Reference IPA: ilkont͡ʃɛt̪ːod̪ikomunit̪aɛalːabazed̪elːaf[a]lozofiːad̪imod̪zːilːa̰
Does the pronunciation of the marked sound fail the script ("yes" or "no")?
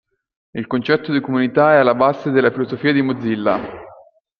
yes